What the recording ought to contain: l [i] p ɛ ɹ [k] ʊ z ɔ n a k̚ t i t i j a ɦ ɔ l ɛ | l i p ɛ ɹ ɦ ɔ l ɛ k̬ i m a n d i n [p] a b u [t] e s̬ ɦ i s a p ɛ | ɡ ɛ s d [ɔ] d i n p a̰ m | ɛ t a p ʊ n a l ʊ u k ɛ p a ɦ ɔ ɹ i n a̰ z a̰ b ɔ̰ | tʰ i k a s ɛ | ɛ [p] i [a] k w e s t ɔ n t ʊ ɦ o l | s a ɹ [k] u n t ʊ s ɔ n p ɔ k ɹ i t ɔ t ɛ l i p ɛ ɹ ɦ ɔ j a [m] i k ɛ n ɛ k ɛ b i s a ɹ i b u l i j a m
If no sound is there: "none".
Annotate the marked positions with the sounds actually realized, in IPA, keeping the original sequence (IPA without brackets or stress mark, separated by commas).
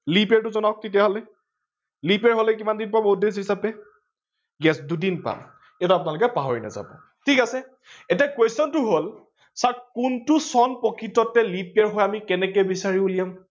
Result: i, t, p, d, u, t, a, k, m